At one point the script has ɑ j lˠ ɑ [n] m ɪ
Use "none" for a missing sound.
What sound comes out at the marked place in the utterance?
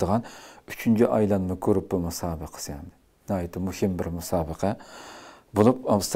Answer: n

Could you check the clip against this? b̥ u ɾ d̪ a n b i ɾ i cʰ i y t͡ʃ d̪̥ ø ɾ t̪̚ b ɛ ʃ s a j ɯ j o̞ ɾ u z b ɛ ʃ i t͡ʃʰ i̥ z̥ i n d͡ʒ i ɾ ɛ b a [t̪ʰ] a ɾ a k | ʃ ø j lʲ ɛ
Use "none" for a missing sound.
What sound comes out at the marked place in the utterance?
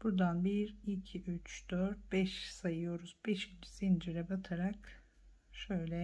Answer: t̪ʰ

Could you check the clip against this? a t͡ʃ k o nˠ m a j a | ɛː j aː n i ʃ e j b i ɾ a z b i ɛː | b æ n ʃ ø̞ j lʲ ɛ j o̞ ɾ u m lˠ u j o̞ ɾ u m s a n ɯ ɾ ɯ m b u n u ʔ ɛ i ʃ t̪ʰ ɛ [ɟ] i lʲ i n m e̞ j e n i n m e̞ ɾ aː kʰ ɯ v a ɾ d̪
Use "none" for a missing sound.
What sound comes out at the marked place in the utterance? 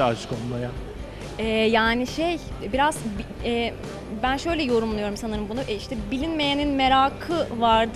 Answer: b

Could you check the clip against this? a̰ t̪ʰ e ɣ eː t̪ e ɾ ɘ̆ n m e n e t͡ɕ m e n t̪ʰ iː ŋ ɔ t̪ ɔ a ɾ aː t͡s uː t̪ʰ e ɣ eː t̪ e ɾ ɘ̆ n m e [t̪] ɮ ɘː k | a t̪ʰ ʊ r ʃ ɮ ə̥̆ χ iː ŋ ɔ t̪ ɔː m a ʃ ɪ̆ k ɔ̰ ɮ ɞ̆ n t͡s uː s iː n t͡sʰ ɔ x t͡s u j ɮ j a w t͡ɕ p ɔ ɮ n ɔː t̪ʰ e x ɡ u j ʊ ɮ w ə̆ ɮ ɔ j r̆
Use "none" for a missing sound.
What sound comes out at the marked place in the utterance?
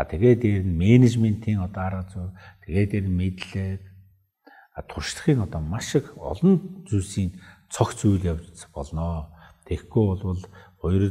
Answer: t̪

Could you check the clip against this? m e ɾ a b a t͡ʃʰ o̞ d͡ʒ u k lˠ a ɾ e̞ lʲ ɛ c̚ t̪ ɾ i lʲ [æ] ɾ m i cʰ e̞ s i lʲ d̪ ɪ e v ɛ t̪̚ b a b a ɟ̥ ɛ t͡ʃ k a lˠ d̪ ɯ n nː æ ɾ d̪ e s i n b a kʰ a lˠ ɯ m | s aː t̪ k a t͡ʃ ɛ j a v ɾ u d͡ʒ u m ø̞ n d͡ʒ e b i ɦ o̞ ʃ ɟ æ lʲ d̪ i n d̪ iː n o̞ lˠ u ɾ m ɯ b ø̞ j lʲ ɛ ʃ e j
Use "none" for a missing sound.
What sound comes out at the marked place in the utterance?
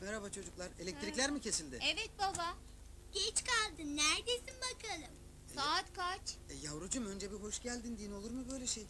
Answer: æ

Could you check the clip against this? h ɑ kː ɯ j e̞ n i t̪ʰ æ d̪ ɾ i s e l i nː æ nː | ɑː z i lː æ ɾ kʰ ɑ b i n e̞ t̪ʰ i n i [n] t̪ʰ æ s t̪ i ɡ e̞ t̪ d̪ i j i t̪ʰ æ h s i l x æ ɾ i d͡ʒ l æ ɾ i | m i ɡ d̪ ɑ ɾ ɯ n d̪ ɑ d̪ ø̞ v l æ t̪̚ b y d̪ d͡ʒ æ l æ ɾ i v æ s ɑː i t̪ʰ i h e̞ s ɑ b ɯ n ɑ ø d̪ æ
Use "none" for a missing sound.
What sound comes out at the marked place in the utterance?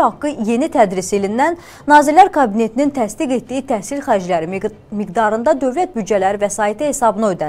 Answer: n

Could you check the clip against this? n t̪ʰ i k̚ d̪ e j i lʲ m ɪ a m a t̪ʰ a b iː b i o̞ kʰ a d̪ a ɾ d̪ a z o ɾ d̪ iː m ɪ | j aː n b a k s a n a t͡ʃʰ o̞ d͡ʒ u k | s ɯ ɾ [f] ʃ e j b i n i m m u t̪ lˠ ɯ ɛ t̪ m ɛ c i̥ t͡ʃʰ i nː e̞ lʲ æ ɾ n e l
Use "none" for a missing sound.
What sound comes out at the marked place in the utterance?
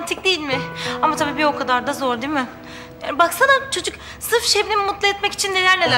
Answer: f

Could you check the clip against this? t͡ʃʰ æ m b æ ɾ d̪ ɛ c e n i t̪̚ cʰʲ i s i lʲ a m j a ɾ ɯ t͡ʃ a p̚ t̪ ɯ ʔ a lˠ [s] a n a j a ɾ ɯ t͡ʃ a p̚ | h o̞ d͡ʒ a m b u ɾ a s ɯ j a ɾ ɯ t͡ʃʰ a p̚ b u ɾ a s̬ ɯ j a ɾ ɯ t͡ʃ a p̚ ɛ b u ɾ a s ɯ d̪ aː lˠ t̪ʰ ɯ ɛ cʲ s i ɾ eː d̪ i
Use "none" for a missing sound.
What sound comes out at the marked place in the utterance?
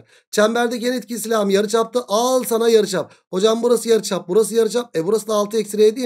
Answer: s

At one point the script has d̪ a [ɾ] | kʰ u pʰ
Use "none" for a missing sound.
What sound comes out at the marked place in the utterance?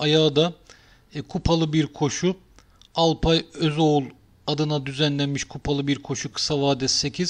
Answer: none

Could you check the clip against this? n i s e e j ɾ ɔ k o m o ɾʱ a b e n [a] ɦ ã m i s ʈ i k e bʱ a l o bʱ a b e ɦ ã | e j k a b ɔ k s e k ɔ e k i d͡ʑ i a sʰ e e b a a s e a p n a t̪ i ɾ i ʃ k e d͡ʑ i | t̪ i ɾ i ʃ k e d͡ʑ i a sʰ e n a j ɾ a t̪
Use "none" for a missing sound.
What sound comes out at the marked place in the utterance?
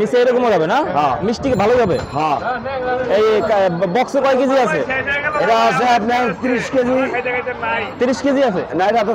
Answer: a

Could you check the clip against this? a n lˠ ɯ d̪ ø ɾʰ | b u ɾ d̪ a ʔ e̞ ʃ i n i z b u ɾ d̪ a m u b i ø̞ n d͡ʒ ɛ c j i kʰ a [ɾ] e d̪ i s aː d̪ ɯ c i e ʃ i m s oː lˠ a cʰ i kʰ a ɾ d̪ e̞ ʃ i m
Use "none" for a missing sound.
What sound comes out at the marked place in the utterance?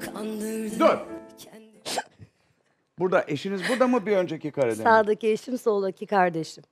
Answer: ɾ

